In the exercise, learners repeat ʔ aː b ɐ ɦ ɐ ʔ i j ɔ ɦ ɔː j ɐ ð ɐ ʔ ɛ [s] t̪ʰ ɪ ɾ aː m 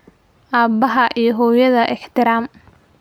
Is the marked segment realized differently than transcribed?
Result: yes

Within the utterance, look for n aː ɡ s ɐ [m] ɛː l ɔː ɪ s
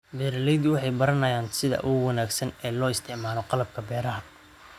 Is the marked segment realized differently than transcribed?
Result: yes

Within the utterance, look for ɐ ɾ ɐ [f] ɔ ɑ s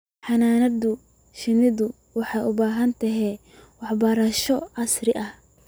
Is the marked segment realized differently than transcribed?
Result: yes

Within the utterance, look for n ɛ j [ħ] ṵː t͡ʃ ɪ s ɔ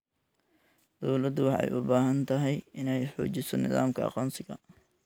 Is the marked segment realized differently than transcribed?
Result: no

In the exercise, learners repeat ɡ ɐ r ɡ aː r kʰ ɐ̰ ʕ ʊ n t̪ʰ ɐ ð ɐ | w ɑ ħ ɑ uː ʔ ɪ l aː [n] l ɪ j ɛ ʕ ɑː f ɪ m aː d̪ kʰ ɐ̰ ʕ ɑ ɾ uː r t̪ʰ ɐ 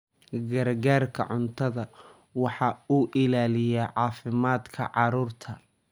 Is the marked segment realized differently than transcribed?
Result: yes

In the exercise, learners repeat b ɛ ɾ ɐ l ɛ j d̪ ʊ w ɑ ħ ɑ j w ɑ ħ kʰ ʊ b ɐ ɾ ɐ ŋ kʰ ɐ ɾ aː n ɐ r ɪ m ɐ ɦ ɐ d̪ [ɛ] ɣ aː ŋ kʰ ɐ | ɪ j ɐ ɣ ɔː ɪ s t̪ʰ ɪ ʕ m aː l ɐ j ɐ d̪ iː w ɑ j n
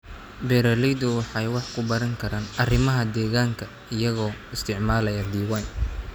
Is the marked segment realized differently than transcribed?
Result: yes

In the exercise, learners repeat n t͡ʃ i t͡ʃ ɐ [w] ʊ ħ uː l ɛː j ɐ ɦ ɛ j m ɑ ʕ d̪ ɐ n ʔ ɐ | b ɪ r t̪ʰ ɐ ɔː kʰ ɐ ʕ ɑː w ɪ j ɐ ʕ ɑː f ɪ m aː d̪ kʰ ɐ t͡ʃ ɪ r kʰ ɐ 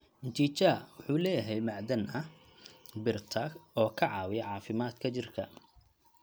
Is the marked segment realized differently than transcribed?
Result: no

